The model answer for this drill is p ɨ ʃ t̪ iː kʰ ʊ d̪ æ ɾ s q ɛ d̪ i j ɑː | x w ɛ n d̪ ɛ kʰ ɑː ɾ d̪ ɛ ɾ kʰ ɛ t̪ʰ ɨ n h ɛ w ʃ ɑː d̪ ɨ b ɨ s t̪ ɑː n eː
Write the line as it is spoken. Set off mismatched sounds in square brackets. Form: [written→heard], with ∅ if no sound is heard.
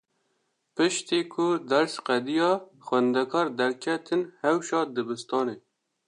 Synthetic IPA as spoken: p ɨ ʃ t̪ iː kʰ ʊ d̪ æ ɾ s q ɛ d̪ i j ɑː | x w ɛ n d̪ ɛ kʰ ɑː ɾ d̪ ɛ ɾ kʰ ɛ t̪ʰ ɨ n h ɛ w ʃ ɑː d̪ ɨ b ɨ s t̪ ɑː n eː